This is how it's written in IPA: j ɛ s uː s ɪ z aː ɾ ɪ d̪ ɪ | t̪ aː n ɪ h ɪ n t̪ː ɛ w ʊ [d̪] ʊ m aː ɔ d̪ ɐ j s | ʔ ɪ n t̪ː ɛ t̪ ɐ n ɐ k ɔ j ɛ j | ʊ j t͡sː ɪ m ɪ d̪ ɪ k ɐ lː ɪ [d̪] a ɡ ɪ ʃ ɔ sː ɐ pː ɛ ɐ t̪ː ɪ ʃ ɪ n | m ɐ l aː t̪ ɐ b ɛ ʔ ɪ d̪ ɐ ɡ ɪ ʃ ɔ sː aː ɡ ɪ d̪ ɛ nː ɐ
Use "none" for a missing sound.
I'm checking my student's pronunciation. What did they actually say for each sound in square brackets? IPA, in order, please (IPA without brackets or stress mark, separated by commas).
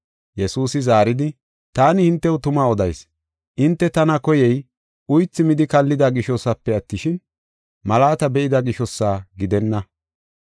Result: t̪, d̪